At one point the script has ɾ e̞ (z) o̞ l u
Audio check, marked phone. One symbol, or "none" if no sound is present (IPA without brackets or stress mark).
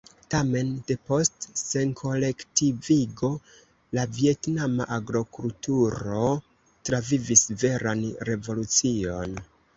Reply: v